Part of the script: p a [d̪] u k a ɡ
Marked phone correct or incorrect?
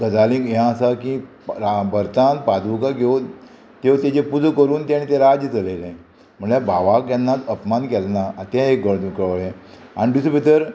correct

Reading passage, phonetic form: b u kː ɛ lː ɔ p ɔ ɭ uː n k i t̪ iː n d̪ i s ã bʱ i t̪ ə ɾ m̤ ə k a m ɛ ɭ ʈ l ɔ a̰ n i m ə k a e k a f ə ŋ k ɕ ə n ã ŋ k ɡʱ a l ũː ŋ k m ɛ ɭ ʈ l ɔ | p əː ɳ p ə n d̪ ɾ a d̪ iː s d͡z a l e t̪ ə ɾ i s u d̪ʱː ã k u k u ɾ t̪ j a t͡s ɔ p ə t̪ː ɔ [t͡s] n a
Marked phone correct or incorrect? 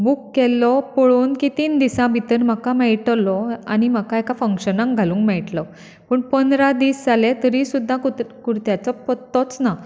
correct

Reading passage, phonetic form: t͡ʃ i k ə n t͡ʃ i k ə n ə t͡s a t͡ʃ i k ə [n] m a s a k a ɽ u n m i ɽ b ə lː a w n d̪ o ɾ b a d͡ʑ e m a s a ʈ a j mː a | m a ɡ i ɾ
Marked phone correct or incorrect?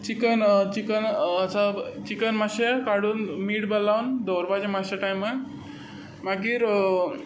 correct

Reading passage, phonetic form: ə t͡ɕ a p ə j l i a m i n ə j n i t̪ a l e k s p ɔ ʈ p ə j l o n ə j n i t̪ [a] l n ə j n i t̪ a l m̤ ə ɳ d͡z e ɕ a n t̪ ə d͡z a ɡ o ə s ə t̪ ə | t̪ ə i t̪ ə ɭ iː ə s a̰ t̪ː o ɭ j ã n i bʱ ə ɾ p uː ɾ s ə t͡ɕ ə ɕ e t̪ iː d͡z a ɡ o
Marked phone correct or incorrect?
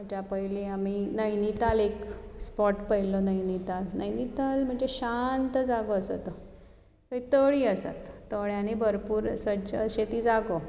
correct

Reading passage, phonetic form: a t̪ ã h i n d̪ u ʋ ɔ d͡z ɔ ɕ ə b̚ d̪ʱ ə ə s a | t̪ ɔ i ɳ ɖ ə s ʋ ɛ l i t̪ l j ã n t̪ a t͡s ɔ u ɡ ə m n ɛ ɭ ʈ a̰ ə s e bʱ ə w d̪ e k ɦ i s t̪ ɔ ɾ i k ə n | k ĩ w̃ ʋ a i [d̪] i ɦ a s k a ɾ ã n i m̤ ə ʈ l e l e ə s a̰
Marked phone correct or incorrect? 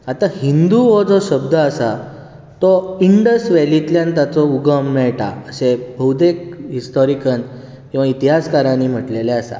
incorrect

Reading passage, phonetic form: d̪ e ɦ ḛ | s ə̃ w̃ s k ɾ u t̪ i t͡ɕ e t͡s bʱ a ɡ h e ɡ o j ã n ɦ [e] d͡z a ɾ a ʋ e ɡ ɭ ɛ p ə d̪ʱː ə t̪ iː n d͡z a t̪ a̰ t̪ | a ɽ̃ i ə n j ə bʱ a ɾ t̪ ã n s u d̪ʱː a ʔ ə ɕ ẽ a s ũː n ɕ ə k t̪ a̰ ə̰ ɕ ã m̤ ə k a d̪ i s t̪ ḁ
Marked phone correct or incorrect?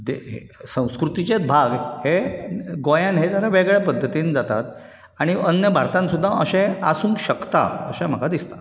correct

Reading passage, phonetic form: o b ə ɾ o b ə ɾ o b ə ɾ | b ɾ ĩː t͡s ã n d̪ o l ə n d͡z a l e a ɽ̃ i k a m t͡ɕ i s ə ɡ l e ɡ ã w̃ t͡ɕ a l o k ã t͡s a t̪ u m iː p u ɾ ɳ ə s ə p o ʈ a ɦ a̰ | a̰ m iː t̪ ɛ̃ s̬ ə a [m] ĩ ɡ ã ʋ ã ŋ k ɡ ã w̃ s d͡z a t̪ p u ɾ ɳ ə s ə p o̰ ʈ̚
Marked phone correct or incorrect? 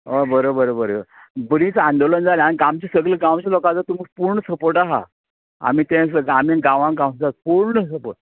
correct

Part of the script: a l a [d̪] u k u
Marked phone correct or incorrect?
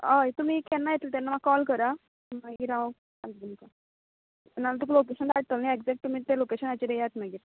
incorrect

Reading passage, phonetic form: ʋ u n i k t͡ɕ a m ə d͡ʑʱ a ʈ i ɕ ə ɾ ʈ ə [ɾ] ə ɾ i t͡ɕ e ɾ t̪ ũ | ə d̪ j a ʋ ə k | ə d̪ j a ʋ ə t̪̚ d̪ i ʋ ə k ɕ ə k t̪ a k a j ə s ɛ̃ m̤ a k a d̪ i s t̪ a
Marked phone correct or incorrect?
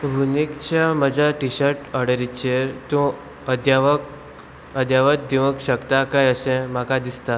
incorrect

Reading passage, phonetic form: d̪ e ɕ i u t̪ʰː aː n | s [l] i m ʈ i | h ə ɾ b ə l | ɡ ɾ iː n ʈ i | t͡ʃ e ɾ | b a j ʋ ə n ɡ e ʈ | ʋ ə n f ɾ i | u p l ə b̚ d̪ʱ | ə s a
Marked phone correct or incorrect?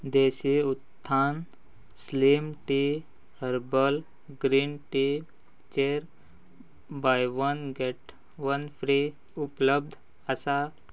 correct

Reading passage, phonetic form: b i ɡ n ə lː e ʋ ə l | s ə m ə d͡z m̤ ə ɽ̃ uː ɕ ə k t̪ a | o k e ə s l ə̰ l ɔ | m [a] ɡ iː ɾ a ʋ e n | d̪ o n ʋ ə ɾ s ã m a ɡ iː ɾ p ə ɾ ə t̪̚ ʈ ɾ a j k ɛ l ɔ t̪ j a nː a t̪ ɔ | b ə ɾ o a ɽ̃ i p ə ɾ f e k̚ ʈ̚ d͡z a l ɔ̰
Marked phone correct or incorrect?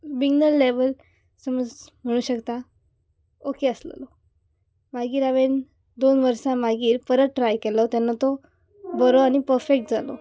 correct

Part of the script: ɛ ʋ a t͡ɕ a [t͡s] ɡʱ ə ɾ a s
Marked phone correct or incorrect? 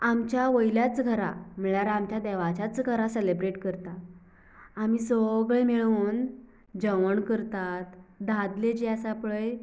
correct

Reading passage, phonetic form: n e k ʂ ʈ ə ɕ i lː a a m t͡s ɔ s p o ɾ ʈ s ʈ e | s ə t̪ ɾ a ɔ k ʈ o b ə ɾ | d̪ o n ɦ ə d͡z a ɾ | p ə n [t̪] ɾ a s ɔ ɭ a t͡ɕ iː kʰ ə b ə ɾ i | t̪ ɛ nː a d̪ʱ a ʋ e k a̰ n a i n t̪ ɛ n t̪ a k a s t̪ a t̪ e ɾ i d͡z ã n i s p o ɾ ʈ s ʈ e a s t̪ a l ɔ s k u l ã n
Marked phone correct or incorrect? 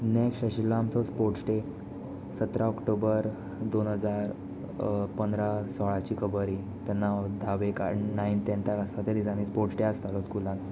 incorrect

